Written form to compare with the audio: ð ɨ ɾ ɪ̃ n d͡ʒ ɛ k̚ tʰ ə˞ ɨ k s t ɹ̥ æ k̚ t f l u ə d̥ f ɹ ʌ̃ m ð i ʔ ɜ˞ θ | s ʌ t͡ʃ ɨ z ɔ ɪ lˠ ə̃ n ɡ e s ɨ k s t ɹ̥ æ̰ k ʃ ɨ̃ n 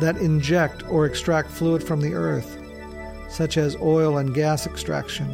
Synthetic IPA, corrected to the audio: ð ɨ ɾ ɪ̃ n d͡ʒ ɛ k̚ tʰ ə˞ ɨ k s t ɹ̥ æ k̚ t f l u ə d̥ f ɹ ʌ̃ m ð i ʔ ɜ˞ θ | s ʌ t͡ʃ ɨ z ɔ ɪ lˠ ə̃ n ɡ æ s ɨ k s t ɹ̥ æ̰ k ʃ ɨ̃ n